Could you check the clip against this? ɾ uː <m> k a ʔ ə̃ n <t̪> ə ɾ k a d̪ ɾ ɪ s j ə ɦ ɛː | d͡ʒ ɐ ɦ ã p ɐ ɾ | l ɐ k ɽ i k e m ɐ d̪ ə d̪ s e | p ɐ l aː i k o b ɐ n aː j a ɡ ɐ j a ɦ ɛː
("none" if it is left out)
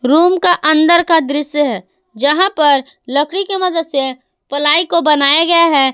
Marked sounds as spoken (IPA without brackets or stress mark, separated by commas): m, d̪